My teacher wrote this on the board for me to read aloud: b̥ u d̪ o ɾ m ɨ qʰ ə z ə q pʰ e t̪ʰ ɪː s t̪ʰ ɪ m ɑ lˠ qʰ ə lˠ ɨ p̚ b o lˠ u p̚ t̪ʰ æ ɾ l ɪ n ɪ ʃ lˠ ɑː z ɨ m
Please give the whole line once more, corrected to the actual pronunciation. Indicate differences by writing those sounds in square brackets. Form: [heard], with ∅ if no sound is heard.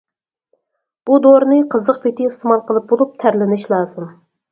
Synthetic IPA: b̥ u d̪ o ɾ [n] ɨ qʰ ə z ə q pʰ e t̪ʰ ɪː s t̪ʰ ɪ m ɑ lˠ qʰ ə lˠ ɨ p̚ b o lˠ u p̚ t̪ʰ æ ɾ l ɪ n ɪ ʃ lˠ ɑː z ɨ m